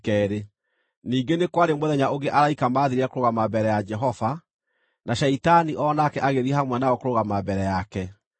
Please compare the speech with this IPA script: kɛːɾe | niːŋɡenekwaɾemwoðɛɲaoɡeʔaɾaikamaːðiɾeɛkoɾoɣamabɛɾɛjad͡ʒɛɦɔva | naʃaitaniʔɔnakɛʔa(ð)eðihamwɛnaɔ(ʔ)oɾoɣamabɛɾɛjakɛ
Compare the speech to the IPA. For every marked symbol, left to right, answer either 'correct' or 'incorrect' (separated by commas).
incorrect, incorrect